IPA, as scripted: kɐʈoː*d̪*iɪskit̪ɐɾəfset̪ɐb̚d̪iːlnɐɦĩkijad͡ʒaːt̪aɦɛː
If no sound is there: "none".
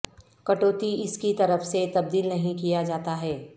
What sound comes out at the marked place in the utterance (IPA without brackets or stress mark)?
t̪